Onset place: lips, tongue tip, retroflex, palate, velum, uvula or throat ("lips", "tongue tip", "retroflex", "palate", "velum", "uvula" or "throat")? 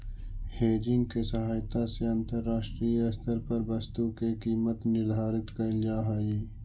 throat